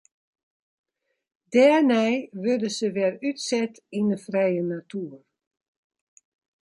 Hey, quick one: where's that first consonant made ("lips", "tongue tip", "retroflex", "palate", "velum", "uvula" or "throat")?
tongue tip